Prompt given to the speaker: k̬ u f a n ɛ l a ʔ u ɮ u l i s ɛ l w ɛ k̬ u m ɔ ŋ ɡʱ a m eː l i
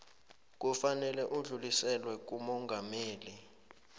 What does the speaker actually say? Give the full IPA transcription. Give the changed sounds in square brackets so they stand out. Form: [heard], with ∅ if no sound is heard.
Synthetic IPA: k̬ u f a n ɛ l [ɛ] ʔ u ɮ u l i s ɛ l w ɛ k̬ u m ɔ ŋ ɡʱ a m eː l i